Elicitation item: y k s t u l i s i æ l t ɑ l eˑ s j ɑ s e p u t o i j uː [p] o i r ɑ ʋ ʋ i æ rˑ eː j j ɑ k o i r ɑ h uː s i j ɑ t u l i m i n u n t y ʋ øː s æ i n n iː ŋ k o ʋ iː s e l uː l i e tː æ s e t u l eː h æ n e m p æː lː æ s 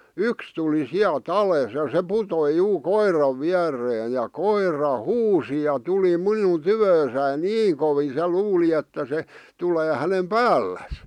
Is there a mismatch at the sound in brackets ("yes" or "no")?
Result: yes